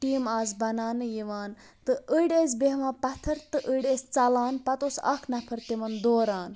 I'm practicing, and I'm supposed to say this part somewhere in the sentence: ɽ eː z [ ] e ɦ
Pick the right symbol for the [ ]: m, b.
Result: b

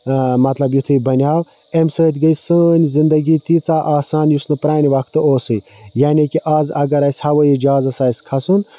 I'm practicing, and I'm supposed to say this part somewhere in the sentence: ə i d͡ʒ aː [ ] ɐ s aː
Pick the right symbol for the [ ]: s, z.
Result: z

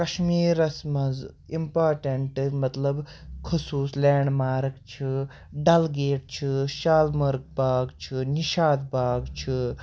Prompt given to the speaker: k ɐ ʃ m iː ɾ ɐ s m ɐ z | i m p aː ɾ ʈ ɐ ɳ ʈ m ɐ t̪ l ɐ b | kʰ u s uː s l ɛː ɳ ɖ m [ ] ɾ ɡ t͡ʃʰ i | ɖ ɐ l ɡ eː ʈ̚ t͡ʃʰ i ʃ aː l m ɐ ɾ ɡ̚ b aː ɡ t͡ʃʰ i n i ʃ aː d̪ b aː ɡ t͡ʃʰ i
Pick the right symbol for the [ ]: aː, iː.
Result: aː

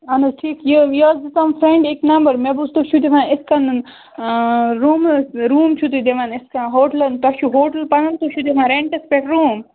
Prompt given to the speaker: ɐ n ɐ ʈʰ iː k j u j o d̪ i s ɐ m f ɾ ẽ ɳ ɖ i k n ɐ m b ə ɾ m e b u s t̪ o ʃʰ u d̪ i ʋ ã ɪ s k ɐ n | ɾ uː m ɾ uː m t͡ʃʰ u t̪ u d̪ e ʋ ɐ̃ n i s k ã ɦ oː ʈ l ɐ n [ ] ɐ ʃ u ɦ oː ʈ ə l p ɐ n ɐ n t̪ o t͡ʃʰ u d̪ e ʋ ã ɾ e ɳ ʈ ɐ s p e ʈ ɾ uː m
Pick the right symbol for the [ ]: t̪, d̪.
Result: t̪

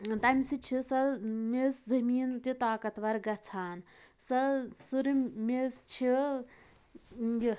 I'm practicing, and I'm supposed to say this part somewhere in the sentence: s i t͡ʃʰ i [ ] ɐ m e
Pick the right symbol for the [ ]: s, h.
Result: s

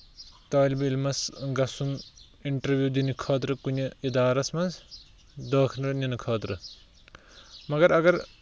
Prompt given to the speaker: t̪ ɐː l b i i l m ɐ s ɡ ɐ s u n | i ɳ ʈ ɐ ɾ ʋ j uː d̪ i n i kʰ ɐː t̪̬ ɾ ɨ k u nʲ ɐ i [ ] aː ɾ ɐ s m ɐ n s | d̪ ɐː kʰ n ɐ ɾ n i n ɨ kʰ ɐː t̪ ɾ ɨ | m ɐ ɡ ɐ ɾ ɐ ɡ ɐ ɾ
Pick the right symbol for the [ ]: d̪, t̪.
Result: d̪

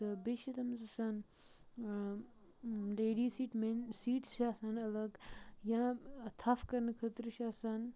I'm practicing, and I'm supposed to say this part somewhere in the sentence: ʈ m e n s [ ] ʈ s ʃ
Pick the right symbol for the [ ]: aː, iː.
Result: iː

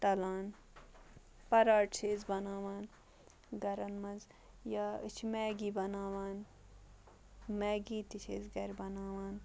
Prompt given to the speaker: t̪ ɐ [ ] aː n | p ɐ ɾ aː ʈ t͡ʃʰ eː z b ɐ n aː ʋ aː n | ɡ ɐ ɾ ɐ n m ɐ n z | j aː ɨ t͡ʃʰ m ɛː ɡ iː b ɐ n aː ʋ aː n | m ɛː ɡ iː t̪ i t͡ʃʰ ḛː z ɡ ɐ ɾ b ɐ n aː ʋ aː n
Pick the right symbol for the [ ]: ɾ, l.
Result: l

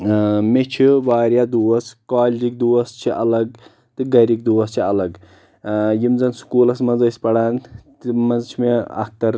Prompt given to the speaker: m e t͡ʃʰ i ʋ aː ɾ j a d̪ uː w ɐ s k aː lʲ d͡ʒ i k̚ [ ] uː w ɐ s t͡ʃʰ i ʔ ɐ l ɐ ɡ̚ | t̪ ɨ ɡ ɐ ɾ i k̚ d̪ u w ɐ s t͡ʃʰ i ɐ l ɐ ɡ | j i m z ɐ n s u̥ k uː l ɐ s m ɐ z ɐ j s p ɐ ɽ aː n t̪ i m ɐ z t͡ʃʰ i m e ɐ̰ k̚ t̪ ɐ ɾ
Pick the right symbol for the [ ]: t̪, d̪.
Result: d̪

